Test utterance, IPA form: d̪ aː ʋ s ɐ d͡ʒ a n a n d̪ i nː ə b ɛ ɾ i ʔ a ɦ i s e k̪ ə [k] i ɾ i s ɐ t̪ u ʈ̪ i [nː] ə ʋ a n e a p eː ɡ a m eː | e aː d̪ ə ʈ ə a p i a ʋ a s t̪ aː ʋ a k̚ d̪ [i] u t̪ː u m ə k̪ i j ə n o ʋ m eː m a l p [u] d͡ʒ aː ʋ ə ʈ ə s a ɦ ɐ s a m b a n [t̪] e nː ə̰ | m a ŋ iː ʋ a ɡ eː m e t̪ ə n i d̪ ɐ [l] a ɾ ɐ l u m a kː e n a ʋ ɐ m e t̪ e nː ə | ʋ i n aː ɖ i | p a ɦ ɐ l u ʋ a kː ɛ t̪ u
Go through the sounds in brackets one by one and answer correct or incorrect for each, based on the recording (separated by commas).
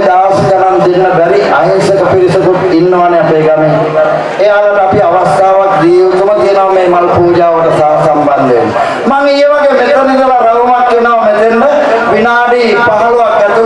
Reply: incorrect, correct, incorrect, incorrect, incorrect, correct